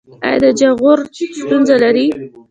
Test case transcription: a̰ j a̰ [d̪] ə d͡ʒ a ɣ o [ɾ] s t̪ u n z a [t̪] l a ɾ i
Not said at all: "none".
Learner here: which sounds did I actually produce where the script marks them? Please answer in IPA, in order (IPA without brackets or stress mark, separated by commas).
d̪, ɾ, none